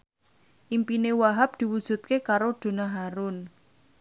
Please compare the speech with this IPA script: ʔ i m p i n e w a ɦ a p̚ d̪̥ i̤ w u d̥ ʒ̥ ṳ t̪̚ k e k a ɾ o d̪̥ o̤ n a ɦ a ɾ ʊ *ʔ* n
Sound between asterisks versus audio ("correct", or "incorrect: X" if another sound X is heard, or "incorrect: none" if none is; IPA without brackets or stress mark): incorrect: none